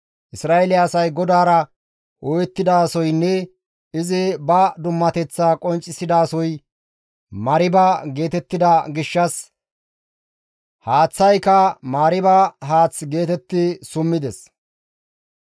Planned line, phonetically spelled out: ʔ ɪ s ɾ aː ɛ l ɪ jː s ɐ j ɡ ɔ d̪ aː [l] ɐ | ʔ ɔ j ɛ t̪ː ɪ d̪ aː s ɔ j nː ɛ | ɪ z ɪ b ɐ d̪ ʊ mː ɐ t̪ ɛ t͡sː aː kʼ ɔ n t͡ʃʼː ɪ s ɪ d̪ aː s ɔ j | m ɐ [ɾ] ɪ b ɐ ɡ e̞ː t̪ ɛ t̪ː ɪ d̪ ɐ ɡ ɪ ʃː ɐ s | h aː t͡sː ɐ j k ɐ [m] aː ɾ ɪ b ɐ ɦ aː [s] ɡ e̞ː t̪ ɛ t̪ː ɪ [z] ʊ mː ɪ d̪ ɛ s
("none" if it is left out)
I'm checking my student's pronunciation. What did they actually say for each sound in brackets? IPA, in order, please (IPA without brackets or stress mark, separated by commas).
ɾ, ɾ, m, t͡s, s